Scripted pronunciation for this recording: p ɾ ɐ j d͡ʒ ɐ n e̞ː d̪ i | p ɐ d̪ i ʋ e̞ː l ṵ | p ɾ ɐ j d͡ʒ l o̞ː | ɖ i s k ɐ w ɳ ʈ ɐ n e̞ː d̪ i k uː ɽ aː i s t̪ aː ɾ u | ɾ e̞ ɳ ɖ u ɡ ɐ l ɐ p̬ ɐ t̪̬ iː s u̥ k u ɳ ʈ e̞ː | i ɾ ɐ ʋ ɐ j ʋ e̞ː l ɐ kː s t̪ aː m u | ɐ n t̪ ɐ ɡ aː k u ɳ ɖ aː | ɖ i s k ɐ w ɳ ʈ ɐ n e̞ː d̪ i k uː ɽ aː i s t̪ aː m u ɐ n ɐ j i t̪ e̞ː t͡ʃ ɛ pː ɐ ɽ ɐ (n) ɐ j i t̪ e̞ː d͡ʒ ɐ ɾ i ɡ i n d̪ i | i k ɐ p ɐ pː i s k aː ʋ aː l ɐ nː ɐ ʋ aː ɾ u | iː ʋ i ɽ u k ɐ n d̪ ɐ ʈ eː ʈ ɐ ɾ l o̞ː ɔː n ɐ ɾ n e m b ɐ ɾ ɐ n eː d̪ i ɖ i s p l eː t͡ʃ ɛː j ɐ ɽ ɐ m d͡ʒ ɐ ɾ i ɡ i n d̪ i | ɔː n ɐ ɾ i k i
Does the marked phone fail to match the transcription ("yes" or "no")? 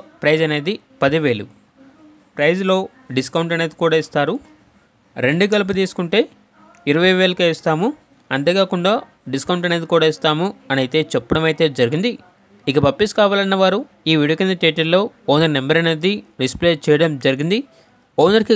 yes